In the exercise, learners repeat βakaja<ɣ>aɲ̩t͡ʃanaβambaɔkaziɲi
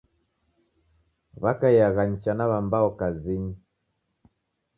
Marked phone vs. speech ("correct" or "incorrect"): correct